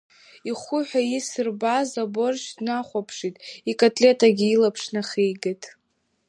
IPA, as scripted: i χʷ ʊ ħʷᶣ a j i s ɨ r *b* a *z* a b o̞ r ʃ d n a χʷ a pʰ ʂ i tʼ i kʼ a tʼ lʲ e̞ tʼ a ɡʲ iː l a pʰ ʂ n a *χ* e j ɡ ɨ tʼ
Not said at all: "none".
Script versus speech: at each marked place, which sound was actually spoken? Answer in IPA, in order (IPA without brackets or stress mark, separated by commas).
b, z, χ